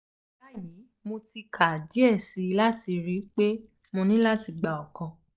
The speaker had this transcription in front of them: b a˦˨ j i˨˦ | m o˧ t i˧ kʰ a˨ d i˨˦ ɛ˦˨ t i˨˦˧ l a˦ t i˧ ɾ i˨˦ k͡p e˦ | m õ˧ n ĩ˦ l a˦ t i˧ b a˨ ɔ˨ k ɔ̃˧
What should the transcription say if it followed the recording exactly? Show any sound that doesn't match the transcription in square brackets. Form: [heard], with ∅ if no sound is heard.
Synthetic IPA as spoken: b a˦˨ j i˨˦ | m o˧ t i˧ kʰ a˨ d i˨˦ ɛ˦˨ [s] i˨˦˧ l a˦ t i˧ ɾ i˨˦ k͡p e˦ | m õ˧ n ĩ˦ l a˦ t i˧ [ɡ͡b] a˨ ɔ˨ k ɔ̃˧

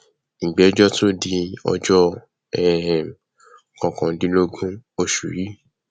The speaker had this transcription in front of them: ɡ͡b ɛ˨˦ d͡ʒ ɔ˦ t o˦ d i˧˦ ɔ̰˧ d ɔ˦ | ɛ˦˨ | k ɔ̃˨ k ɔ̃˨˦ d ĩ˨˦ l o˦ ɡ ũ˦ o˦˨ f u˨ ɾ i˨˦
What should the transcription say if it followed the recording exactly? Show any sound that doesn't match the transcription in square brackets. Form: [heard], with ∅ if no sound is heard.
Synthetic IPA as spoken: ɡ͡b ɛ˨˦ d͡ʒ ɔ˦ t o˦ d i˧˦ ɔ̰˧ [d͡ʒ] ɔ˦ | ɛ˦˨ | k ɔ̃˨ k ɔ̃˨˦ d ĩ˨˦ l o˦ ɡ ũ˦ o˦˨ [ʃ] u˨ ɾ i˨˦

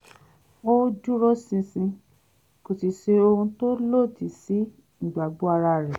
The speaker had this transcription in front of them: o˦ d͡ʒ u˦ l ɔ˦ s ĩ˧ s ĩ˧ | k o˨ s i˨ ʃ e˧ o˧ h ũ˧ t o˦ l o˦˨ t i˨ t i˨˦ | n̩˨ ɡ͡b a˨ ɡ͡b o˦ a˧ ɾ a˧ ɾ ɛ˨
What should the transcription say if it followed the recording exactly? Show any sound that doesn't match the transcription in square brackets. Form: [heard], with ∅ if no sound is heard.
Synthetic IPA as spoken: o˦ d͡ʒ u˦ [ɾ] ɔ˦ s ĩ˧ s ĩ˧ | k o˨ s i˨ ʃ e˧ o˧ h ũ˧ t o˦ l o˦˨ t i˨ [s] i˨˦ | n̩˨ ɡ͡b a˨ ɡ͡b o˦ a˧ ɾ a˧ ɾ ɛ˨

